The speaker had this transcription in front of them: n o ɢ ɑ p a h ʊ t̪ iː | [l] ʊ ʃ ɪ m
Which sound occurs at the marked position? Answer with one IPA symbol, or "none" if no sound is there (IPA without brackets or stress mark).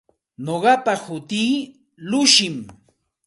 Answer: l